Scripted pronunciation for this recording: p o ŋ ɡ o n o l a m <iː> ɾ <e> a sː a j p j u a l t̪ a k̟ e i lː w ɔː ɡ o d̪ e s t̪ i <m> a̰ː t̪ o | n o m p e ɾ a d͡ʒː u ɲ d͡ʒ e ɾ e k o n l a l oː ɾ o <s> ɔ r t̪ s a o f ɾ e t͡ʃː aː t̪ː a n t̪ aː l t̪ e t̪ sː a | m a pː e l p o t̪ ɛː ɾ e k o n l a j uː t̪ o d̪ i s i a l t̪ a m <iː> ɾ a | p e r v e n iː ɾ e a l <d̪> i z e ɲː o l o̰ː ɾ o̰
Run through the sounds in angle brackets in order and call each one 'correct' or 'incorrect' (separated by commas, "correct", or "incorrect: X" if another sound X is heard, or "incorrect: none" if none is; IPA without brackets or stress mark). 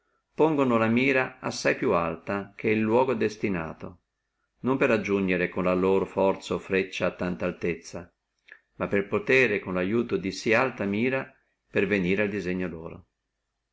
correct, incorrect: a, incorrect: n, incorrect: f, correct, correct